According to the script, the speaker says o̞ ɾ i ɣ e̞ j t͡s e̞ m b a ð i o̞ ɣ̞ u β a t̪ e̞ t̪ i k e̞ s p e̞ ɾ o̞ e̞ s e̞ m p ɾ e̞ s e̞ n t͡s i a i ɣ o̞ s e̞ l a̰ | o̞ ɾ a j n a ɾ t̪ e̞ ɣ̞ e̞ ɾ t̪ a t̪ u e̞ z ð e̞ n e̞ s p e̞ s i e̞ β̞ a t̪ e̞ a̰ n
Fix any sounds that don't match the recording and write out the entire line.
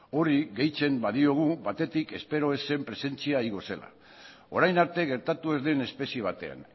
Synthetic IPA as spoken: o̞ ɾ i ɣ e̞ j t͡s e̞ m b a ð i o̞ ɣ̞ u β a t̪ e̞ t̪ i k e̞ s p e̞ ɾ o̞ e̞ s e̞ m p ɾ e̞ s e̞ n t͡s i a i ɣ o̞ s e̞ l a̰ | o̞ ɾ a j n a ɾ t̪ e̞ ɣ̞ e̞ ɾ t̪ a t̪ u e̞ z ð e̞ n e̞ s p e̞ s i e̞ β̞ a t̪ e̞ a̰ n